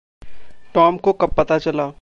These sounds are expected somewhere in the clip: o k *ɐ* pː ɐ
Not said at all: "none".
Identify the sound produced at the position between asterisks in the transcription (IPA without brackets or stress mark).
ɐ